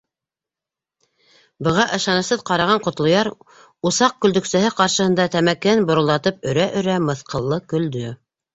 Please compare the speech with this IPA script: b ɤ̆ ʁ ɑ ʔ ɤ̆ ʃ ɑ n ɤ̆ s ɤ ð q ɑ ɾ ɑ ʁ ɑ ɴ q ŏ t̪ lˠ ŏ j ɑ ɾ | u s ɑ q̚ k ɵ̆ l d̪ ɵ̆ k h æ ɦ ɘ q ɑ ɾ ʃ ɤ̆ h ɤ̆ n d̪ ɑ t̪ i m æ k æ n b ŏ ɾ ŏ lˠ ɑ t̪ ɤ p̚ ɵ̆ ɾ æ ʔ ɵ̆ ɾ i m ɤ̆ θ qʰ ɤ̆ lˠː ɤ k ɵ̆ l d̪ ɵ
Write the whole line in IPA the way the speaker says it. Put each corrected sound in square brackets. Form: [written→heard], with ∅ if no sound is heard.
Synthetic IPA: b ɤ̆ ʁ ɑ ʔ ɤ̆ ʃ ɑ n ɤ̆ s ɤ ð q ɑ ɾ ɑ ʁ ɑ ɴ q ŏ t̪ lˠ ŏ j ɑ ɾ | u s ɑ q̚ k ɵ̆ l d̪ ɵ̆ k [h→s] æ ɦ ɘ q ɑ ɾ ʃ ɤ̆ h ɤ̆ n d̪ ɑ t̪ [i→æ] m æ k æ n b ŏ ɾ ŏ lˠ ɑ t̪ ɤ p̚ ɵ̆ ɾ æ ʔ ɵ̆ ɾ [i→æ] m ɤ̆ θ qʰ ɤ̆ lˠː ɤ k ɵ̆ l d̪ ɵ